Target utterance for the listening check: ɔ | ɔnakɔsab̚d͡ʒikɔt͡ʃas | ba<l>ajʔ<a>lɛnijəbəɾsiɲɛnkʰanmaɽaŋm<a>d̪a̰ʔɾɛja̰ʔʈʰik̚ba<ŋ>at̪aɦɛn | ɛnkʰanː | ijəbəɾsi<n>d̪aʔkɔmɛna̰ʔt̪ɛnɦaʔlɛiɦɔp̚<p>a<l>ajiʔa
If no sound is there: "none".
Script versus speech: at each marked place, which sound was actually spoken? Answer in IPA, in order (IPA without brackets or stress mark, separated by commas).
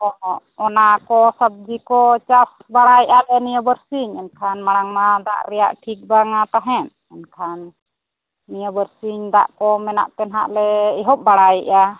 ɽ, a, a, ŋ, ɲ, b, ɽ